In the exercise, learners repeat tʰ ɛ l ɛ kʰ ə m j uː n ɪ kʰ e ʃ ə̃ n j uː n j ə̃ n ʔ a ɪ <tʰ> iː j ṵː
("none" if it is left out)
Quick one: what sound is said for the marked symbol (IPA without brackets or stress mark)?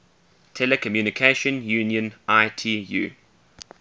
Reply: tʰ